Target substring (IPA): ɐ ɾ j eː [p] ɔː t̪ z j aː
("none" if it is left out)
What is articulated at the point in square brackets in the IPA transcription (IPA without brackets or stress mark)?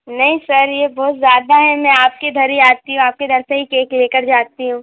b